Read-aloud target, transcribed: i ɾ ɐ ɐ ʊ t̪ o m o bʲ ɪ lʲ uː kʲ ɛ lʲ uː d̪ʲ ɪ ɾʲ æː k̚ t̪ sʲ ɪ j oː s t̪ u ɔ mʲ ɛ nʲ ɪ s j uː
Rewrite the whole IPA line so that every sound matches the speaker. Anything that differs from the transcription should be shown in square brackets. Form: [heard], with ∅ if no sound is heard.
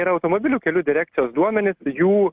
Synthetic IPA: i ɾ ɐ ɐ ʊ t̪ o m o bʲ ɪ lʲ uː kʲ ɛ lʲ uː d̪ʲ ɪ ɾʲ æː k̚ t̪ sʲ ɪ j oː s [d̪] u ɔ mʲ ɛ nʲ ɪ s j uː